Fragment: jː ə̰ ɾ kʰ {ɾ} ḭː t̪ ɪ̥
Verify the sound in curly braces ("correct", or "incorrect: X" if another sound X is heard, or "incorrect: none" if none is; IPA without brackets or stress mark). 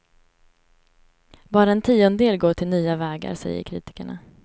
correct